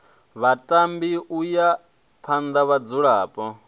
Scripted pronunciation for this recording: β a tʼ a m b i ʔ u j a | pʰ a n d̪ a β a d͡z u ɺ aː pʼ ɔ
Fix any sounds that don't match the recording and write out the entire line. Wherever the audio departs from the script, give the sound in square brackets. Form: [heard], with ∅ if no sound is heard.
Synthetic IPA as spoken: β a tʼ a m b i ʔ u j a | pʰ a n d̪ a β a d͡z u ɺ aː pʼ ɔ